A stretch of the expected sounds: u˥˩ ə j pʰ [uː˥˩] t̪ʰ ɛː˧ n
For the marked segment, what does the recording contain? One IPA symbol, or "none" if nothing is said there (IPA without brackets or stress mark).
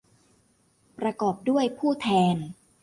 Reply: uː˥˩